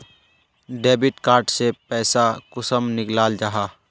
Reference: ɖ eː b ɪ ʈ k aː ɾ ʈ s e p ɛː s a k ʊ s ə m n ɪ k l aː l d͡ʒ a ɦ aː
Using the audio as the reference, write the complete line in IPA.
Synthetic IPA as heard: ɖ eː b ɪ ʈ k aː ɾ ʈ s e p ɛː s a k ʊ s ə m n ɪ k l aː l d͡ʒ a ɦ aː